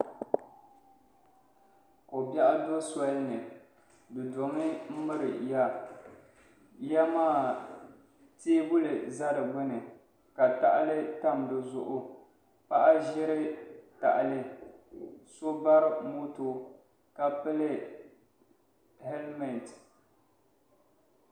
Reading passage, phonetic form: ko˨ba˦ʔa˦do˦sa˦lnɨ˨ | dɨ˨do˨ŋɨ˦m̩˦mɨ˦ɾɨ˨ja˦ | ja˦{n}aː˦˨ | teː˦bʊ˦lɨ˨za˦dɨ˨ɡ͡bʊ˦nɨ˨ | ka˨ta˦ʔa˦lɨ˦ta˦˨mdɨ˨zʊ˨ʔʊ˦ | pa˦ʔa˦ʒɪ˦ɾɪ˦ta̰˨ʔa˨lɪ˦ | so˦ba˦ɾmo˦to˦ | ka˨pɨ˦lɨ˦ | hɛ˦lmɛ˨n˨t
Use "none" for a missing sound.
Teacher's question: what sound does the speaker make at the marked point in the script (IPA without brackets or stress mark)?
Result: m